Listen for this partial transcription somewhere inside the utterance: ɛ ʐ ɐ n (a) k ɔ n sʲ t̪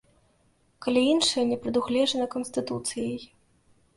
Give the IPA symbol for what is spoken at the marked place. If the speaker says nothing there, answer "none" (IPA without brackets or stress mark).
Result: ɐ